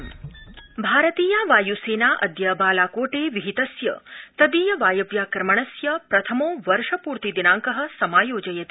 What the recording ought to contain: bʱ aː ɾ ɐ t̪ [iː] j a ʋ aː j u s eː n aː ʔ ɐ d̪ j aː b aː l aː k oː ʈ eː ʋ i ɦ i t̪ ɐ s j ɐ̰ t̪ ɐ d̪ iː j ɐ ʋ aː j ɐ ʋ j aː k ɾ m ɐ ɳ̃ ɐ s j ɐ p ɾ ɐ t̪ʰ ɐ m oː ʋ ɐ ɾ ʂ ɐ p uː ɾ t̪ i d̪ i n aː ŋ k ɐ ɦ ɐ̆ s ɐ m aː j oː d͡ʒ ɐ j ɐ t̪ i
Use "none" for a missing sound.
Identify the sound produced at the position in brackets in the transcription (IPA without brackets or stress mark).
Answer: iː